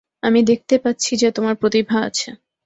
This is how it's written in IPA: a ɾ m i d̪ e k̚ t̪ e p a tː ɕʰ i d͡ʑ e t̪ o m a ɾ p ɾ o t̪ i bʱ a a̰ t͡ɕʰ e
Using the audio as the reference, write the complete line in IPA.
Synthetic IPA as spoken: a m i d̪ e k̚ t̪ e p a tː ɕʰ i d͡ʑ e t̪ o m a ɾ p ɾ o t̪ i bʱ a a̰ t͡ɕʰ e